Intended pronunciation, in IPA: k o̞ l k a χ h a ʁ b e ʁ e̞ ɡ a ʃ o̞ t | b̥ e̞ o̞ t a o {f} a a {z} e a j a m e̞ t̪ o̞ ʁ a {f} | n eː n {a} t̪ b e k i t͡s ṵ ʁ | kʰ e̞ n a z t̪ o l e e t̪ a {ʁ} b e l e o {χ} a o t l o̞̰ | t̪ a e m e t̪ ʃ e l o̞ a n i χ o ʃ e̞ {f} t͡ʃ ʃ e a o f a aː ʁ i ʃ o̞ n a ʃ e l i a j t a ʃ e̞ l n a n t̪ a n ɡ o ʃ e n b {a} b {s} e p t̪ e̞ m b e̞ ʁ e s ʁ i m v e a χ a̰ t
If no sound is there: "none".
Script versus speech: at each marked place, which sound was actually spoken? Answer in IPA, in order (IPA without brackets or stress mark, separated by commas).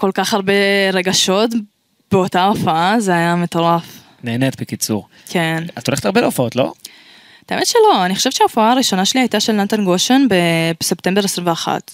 f, z, f, e, ʁ, f, v, e, s